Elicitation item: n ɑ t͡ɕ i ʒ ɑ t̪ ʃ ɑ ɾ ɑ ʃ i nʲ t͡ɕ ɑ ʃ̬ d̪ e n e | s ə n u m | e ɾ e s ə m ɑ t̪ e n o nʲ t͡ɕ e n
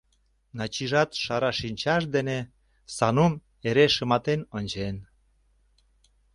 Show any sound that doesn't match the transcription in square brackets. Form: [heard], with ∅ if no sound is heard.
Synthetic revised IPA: n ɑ t͡ɕ i ʒ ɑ t̪ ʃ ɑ ɾ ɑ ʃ i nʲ t͡ɕ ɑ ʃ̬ d̪ e n e | s [ɑ] n u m | e ɾ e [ʃ] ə m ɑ t̪ e n o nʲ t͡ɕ e n